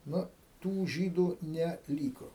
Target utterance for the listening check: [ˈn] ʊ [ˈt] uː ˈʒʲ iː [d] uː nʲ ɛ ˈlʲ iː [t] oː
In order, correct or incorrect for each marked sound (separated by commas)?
correct, correct, correct, incorrect